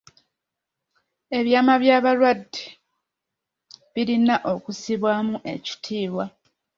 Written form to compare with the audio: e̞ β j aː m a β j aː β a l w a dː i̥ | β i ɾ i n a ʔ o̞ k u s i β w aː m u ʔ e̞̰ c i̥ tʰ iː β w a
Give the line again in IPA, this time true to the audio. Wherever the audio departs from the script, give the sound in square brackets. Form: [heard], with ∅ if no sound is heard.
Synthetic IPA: e̞ β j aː m a β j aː β a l w a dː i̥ | β i ɾ i n a ʔ o̞ k u s i β w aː m u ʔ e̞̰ c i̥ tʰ iː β w a